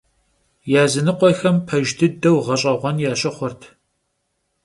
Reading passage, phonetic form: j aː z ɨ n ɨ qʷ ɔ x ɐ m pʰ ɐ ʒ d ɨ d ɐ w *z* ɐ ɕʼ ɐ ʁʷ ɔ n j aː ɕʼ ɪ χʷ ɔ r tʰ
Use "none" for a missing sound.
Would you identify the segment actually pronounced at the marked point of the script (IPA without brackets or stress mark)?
ʁ